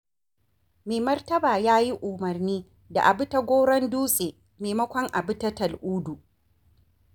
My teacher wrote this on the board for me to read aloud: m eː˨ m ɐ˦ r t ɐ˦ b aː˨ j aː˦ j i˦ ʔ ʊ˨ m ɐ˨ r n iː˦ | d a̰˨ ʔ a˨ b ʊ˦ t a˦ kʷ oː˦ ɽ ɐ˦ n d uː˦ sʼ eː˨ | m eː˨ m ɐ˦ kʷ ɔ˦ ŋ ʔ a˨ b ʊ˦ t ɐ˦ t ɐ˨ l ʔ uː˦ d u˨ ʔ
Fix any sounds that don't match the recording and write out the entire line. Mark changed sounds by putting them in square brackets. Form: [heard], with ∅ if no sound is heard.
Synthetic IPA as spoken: m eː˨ m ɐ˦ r t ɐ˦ b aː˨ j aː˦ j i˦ ʔ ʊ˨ m ɐ˨ r n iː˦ | d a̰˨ ʔ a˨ b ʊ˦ t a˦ [ɡʷ] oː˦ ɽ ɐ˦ n d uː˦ sʼ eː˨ | m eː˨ m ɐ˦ kʷ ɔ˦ ŋ ʔ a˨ b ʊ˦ t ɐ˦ t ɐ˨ l ʔ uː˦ d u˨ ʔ